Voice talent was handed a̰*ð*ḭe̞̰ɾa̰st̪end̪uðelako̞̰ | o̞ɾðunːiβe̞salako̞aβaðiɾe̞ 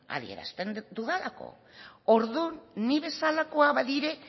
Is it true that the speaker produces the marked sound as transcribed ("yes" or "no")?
yes